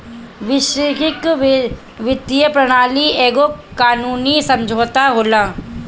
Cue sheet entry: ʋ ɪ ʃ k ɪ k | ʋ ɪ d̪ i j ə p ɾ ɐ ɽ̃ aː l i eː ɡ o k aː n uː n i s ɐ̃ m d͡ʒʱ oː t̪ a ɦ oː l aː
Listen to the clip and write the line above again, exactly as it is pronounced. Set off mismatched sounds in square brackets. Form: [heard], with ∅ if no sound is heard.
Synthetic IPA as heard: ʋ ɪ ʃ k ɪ k | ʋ ɪ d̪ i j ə p ɾ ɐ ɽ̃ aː l i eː ɡ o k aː n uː n i s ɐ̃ m d͡ʒʱ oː t̪ a ɦ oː l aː